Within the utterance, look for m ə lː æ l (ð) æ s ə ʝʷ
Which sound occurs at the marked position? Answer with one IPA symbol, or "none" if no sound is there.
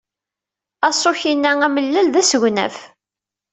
ð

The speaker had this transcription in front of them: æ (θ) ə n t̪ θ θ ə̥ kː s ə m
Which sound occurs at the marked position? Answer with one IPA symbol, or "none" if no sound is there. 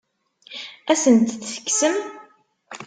s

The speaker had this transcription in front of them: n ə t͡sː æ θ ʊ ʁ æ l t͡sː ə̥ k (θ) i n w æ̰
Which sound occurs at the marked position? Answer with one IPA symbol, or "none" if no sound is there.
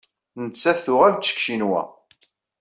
ʃ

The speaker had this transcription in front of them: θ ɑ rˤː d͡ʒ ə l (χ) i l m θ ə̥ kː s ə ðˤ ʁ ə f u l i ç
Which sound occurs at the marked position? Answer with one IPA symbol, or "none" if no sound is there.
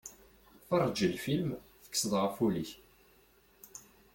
f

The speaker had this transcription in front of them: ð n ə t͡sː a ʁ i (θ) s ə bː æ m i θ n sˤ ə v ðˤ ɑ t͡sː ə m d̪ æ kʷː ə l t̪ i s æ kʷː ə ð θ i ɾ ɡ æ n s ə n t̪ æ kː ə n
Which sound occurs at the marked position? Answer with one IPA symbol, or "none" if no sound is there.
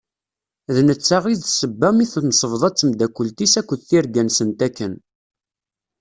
ð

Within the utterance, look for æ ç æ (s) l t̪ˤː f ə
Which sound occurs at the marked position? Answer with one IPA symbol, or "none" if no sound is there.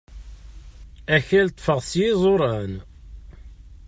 none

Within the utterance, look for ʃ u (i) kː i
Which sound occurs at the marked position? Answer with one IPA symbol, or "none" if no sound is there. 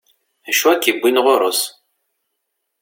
æ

